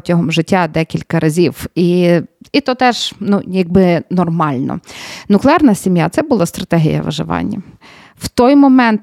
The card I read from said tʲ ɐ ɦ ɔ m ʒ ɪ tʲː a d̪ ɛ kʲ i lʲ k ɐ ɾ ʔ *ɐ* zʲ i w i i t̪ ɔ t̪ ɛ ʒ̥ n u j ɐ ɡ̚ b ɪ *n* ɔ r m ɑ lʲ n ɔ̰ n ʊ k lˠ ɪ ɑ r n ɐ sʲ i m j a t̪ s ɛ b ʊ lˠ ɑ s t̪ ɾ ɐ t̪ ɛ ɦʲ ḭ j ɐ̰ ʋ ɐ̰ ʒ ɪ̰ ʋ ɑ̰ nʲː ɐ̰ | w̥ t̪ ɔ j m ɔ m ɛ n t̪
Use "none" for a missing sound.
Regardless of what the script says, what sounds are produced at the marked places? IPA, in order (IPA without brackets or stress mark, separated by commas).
ɐ, n